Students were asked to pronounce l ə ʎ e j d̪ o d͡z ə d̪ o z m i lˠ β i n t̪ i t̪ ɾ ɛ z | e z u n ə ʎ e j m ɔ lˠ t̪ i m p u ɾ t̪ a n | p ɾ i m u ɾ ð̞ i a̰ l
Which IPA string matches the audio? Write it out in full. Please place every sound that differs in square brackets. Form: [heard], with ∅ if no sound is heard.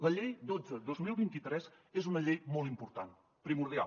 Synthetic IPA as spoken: l ə ʎ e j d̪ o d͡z ə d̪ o z m i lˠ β i n t̪ i t̪ ɾ ɛ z | e z u n ə ʎ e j m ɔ lˠ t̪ i m p u ɾ t̪ a n | p ɾ i m u ɾ ð̞ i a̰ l